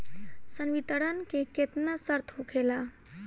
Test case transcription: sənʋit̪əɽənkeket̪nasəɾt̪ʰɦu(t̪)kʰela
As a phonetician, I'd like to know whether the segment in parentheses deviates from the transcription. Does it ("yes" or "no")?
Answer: yes